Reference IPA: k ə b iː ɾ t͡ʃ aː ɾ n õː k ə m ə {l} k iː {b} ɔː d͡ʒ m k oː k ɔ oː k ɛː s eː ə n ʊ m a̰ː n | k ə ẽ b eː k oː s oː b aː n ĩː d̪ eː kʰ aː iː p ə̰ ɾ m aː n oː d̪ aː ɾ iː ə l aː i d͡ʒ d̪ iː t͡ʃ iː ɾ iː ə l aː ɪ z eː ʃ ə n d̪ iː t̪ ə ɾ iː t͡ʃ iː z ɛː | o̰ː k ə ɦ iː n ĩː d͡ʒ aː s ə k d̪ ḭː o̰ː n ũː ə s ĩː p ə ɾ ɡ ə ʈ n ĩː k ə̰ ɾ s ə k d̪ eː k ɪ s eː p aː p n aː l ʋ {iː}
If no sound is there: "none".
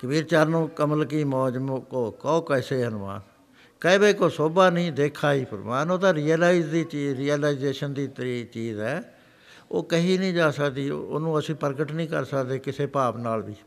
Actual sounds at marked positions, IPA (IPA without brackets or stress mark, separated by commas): l, m, iː